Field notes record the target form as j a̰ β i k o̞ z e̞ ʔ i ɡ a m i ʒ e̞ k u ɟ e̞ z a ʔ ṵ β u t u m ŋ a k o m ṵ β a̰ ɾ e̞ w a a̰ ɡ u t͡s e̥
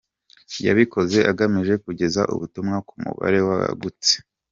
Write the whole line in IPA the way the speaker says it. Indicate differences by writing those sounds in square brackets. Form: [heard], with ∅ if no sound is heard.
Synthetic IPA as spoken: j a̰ β i k o̞ z e̞ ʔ [a] ɡ a m i ʒ e̞ k u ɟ e̞ z a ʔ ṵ β u t u m ŋ a k [u] m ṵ β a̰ ɾ e̞ w a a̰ ɡ u t͡s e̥